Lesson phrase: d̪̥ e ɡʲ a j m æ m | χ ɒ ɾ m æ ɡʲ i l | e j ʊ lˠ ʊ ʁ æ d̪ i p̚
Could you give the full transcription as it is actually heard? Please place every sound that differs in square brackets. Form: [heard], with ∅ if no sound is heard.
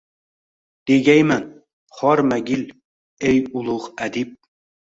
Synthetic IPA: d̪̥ e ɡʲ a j m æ [n] | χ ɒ ɾ m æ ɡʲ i l | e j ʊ lˠ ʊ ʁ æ d̪ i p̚